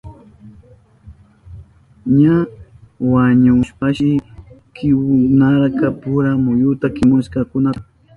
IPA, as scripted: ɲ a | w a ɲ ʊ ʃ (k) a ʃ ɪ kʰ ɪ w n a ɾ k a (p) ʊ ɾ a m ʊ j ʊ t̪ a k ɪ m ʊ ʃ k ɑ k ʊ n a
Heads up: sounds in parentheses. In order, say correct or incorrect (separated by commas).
incorrect, correct